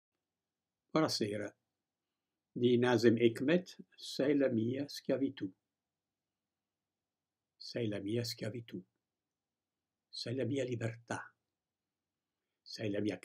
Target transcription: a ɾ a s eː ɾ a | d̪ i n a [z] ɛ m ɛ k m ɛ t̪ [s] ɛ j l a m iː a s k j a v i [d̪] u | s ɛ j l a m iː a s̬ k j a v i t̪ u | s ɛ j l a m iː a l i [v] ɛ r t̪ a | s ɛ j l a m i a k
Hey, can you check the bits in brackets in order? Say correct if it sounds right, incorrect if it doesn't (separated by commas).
correct, correct, incorrect, incorrect